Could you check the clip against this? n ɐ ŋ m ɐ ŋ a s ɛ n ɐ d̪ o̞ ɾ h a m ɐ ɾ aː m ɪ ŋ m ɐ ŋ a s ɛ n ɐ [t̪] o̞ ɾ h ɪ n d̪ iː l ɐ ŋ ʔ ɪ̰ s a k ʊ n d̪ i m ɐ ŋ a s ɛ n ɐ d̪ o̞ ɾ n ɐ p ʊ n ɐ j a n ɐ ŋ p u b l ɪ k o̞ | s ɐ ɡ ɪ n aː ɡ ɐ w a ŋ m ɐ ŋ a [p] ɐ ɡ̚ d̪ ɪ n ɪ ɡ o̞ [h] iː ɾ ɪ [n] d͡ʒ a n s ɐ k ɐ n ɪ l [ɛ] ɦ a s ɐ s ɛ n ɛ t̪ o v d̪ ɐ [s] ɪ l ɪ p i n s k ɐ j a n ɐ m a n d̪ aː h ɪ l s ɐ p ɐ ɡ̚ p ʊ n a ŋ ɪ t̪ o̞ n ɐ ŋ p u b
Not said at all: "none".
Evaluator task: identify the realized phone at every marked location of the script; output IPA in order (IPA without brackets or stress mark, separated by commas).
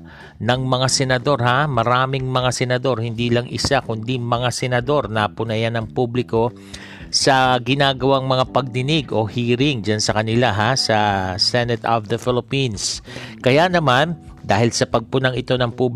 d̪, p, h, ŋ, a, f